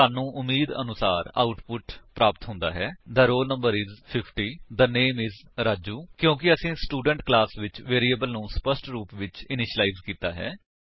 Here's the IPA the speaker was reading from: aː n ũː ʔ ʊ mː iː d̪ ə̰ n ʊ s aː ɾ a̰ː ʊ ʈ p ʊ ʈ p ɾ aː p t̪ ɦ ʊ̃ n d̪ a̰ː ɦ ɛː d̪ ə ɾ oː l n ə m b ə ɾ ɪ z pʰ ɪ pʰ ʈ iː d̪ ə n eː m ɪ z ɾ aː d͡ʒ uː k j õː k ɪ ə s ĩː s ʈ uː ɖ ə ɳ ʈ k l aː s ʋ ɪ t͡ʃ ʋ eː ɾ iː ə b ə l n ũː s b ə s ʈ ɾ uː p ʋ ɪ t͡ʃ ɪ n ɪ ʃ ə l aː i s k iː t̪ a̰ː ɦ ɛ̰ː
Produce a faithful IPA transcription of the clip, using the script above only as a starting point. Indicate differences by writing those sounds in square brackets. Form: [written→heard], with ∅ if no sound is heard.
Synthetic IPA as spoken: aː n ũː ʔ ʊ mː iː d̪ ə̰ n ʊ s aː ɾ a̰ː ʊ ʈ p ʊ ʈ p ɾ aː p t̪ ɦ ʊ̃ n d̪ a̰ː ɦ ɛː d̪ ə ɾ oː l n ə m b ə ɾ ɪ z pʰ ɪ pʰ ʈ iː d̪ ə n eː m ɪ z ɾ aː d͡ʒ uː k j õː k ɪ ə s ĩː s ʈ uː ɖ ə ɳ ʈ k l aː s ʋ ɪ t͡ʃ ʋ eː ɾ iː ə b ə l n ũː s [b→p] ə s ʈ ɾ uː p ʋ ɪ t͡ʃ ɪ n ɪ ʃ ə l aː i [s→z] k iː t̪ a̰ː ɦ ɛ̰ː

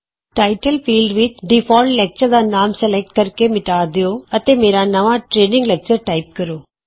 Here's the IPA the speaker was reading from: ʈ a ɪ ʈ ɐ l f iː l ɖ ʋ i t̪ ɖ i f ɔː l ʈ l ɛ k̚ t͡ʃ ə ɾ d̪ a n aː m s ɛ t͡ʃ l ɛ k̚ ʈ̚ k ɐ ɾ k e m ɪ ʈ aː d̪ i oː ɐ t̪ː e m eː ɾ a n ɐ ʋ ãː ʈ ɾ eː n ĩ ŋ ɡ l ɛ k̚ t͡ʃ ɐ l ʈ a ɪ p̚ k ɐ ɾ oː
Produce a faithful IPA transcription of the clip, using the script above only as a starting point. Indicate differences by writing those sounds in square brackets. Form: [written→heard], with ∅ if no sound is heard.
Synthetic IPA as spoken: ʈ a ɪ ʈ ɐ l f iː l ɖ ʋ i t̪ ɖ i f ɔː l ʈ l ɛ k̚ t͡ʃ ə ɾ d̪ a n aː m s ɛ [t͡ʃ→∅] l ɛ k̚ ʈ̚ k ɐ ɾ k e m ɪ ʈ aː d̪ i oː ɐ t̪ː e m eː ɾ a n ɐ ʋ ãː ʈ ɾ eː n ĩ ŋ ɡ l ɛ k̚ t͡ʃ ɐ [l→ɾ] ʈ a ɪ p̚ k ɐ ɾ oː

